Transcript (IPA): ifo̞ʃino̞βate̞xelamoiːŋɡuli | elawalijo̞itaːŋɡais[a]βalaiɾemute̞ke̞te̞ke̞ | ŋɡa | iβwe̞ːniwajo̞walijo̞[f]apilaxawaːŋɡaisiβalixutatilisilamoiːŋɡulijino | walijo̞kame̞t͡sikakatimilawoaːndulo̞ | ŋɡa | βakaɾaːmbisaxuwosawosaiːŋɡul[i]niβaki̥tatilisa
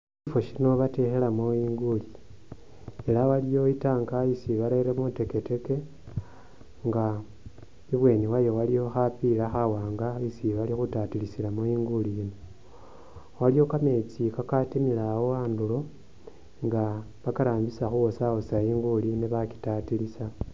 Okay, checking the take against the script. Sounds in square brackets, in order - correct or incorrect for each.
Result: incorrect, incorrect, correct

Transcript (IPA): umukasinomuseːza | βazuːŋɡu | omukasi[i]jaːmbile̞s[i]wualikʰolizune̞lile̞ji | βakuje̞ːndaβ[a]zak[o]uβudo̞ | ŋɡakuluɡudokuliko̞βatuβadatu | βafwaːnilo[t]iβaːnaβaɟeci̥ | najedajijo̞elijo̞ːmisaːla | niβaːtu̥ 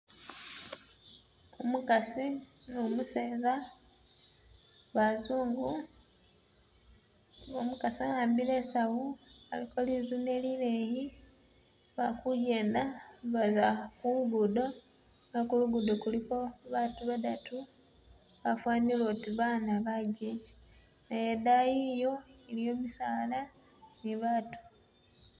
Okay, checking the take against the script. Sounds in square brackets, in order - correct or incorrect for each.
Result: incorrect, incorrect, correct, incorrect, correct

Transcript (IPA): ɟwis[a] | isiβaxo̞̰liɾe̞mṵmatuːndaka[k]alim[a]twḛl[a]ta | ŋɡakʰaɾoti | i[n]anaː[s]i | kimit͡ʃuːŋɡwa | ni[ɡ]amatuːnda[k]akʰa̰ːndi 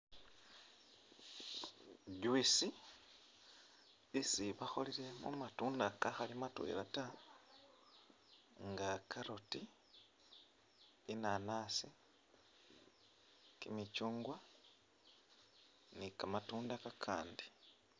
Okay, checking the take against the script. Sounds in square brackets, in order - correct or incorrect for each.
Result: incorrect, incorrect, correct, correct, correct, correct, incorrect, correct

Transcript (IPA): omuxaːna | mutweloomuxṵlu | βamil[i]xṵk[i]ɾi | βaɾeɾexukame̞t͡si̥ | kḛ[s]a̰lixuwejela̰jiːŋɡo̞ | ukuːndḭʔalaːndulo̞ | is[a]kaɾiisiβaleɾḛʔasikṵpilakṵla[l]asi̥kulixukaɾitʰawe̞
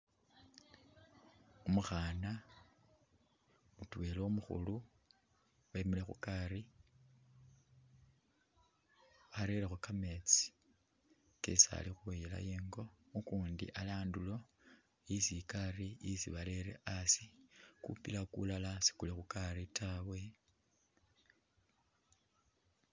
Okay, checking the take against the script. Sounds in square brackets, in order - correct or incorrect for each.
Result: incorrect, incorrect, correct, incorrect, correct

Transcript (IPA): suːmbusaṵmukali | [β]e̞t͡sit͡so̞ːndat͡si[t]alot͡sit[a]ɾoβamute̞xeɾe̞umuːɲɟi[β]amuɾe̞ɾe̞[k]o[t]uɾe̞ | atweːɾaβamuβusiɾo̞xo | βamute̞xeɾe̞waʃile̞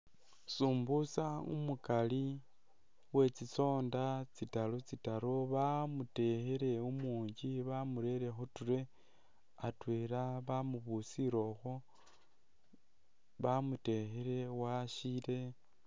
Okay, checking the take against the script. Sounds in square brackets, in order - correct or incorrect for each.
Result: incorrect, correct, correct, correct, incorrect, correct

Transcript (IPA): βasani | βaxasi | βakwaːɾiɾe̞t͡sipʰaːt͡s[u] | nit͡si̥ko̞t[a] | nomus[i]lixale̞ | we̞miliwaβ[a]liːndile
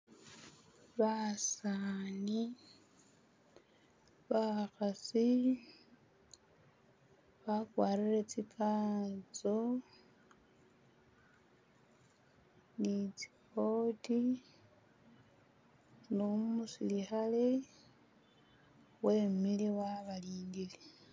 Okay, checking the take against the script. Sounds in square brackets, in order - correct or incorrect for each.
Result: incorrect, incorrect, correct, correct

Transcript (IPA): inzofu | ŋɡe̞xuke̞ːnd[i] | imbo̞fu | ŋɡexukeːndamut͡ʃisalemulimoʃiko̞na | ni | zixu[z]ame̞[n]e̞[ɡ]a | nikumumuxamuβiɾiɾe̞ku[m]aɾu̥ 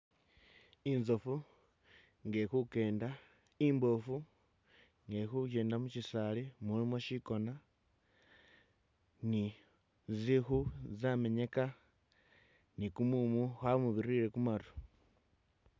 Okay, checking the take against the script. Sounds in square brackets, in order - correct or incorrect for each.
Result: incorrect, correct, incorrect, incorrect, correct

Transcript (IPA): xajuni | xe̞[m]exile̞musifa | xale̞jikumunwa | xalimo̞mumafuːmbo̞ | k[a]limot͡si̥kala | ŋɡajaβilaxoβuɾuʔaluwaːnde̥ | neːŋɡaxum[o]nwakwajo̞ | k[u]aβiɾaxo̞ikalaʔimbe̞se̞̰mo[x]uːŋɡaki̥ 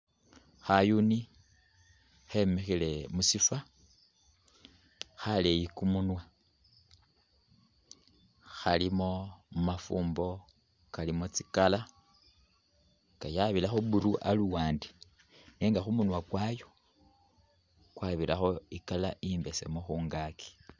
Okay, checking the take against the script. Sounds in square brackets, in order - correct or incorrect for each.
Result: correct, correct, incorrect, incorrect, correct

